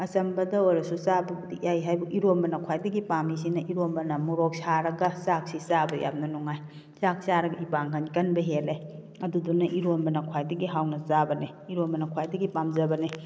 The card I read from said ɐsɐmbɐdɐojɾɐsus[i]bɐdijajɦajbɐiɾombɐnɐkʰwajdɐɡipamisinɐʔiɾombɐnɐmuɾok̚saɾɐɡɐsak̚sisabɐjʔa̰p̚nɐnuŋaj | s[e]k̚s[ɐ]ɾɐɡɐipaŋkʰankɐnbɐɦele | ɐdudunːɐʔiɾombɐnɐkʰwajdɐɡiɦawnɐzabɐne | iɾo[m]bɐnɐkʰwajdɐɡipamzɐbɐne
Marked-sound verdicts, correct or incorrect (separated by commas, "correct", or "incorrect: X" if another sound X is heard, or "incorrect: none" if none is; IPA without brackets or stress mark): incorrect: a, incorrect: a, incorrect: a, correct